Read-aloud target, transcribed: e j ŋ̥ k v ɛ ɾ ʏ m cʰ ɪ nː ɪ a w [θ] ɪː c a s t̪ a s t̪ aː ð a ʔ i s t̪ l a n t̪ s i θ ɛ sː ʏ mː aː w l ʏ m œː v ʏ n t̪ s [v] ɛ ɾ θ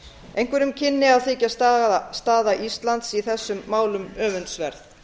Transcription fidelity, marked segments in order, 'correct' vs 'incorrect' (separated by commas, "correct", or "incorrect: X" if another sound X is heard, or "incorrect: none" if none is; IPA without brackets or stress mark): correct, correct